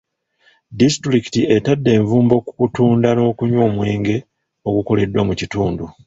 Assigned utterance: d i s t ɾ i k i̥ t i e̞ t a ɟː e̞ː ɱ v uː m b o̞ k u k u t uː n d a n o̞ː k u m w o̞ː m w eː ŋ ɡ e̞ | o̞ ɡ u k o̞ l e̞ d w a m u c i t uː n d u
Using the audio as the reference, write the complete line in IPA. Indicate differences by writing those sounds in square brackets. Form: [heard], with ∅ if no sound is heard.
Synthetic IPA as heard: d i s t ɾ i k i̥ t i e̞ t a [dː] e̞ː ɱ v uː m b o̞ k u k u t uː n d a n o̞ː k u [ɲ] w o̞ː m w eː ŋ ɡ e̞ | o̞ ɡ u k o̞ l e̞ d w a m u c i t uː n d u